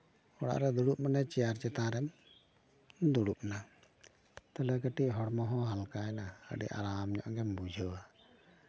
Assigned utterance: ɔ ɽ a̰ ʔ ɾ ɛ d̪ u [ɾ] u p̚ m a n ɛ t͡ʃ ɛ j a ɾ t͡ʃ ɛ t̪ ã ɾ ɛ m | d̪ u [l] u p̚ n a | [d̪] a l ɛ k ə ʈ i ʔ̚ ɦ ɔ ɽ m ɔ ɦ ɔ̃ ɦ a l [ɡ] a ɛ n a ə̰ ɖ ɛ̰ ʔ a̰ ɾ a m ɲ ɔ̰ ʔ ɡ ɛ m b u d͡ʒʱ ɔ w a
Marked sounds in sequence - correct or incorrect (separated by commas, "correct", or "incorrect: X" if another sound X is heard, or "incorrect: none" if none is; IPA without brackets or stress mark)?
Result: incorrect: ɽ, incorrect: ɽ, incorrect: t̪, incorrect: k